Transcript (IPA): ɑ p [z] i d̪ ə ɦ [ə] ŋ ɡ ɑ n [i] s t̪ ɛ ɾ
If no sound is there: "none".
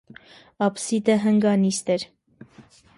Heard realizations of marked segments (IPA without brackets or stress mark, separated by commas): s, ə, i